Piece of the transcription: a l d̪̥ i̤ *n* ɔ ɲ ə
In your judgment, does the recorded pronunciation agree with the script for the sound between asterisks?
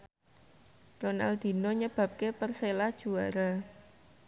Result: yes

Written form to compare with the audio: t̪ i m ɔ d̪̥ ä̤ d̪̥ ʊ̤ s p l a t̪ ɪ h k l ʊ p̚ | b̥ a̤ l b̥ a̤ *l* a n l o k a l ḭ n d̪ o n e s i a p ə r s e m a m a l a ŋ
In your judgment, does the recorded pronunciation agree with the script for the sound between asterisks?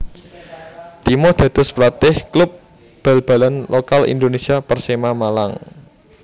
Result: yes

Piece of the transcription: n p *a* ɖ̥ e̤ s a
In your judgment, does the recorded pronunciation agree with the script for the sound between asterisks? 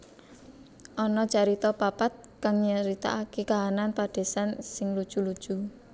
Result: yes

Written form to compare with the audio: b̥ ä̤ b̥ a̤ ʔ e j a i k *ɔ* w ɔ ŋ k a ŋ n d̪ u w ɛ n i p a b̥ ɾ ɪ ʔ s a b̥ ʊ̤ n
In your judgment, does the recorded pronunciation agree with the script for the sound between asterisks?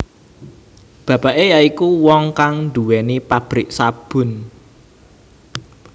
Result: no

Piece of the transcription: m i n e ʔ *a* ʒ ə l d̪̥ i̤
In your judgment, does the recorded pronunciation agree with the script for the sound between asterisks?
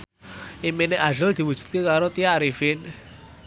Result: yes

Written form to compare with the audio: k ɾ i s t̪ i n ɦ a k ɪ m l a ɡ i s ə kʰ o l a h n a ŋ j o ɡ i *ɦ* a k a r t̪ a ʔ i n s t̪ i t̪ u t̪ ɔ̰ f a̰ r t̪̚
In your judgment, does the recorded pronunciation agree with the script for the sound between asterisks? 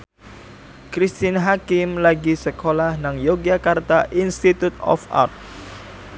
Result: no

